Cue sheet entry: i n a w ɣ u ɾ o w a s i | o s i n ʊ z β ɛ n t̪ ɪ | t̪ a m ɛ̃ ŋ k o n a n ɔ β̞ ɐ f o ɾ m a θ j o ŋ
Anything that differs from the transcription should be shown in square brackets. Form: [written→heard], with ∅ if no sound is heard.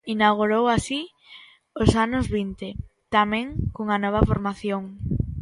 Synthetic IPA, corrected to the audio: i n a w ɣ u ɾ o w a s i | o s [i→a] n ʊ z β [ɛ→i] n t̪ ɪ | t̪ a m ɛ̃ ŋ k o [n→ŋ] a n ɔ β̞ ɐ f o ɾ m a θ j o ŋ